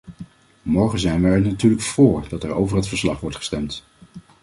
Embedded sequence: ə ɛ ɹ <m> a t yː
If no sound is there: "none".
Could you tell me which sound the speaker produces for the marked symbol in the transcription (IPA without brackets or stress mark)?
n